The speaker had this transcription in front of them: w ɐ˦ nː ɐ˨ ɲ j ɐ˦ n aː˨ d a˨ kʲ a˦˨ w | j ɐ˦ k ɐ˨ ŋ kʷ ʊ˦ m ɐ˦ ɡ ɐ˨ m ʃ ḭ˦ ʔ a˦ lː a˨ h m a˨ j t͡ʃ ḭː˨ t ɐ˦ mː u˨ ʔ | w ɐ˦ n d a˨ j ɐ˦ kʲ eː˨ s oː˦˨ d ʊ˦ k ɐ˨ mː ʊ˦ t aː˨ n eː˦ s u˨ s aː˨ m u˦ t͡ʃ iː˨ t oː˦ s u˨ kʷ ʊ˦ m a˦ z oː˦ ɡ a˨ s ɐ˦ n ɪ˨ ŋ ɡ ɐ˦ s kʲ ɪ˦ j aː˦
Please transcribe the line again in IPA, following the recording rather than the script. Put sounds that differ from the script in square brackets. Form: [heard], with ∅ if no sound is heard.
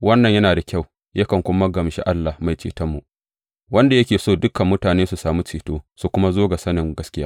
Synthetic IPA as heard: w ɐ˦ nː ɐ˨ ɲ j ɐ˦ n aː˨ d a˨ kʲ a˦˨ w | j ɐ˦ k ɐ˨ ŋ kʷ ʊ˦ m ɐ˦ ɡ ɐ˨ m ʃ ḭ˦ ʔ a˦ lː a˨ h m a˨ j t͡ʃ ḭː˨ t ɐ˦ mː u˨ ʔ | w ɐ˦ n d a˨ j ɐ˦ kʲ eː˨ s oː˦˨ d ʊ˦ k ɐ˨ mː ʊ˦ t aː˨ n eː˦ s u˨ s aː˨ m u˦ t͡ʃ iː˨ t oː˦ s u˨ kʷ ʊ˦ m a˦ z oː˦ ɡ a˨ s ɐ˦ n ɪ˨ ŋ ɡ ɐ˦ s kʲ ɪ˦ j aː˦

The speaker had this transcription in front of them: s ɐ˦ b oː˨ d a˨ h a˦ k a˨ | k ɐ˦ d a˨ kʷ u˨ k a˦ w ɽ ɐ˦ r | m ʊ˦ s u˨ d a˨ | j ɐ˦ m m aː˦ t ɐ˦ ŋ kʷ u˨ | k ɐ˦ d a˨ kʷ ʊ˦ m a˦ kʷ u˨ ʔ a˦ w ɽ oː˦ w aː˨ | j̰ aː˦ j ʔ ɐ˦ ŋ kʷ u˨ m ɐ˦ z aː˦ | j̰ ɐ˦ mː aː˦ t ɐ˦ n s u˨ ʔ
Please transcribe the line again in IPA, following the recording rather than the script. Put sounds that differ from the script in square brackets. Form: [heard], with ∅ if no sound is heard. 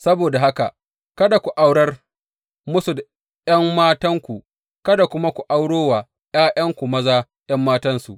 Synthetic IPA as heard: s ɐ˦ b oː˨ d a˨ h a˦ k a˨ | k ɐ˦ d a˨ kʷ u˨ [ʔ] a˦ w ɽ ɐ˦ r | m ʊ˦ s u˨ d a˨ | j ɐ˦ m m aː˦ t ɐ˦ ŋ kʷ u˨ | k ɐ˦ d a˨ kʷ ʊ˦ m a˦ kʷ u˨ ʔ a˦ w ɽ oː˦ w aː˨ | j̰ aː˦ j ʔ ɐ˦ ŋ kʷ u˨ m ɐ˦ z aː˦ | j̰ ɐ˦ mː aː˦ t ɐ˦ n s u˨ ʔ

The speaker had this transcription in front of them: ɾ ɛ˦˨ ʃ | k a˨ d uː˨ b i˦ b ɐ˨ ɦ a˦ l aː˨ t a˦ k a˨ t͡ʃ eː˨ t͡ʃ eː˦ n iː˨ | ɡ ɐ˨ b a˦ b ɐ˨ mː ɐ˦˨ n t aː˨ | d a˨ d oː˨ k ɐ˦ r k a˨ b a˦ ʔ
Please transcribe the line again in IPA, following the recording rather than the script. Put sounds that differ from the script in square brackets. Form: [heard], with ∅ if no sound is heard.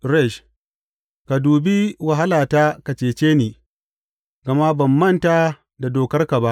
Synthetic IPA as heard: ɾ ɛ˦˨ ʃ | k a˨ d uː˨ b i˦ [w] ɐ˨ ɦ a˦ l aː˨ t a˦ k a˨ t͡ʃ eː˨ t͡ʃ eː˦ n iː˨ | ɡ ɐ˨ [m] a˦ b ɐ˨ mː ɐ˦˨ n t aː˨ | d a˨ d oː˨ k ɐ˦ r k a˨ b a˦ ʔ

